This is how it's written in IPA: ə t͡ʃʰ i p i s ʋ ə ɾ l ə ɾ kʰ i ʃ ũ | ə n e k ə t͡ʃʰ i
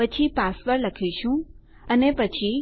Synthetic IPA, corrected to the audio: ə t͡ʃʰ i p a s ʋ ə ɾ l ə kʰ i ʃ ũ | ə n e p ə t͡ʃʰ i